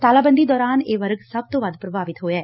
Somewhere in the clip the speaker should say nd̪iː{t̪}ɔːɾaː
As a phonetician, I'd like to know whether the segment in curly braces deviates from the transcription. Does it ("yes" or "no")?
yes